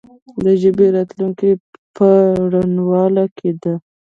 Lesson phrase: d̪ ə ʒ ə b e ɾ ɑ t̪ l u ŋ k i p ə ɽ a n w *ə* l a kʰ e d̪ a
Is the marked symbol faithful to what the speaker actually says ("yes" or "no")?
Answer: no